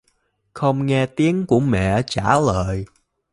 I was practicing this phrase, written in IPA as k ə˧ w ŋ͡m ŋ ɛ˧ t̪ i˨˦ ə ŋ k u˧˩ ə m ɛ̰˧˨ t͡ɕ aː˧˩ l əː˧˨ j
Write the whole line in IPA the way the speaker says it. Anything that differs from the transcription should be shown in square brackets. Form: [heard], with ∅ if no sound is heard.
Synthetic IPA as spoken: [x] ə˧ w ŋ͡m ŋ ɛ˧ t̪ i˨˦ ə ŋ k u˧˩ ə m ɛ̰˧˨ t͡ɕ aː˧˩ l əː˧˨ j